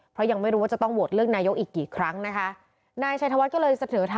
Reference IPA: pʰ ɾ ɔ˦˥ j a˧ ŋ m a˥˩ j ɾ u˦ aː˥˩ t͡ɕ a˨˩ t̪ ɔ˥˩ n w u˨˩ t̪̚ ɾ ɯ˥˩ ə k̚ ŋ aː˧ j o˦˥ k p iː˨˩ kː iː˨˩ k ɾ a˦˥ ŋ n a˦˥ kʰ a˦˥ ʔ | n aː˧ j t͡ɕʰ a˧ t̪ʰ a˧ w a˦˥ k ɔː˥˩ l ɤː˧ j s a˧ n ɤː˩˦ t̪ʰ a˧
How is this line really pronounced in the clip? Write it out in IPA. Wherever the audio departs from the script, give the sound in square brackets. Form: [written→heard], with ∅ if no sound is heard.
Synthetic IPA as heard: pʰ ɾ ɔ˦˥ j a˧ ŋ m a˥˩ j ɾ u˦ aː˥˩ t͡ɕ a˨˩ t̪ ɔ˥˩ [n→ŋ] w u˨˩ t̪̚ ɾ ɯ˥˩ ə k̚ [ŋ→n] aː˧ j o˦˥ k [p→ʔ] iː˨˩ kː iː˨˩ [k→kʰ] ɾ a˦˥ ŋ n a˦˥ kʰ a˦˥ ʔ | n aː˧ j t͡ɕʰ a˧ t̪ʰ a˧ w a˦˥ k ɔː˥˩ l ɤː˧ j s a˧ n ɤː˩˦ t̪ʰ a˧